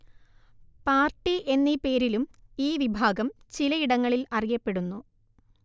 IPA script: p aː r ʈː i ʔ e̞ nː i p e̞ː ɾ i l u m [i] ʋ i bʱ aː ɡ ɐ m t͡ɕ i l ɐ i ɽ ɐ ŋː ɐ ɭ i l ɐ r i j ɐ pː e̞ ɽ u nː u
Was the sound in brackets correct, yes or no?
no